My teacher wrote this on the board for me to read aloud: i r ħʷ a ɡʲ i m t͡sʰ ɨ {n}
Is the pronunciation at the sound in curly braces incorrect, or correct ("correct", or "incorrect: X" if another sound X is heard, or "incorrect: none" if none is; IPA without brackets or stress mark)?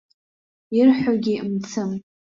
incorrect: m